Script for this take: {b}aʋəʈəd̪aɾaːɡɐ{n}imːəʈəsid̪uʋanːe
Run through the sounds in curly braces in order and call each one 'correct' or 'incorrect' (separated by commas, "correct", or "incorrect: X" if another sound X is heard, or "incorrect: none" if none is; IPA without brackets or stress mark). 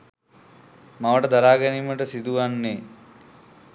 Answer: incorrect: m, correct